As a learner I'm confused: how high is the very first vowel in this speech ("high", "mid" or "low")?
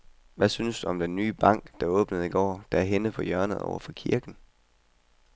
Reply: low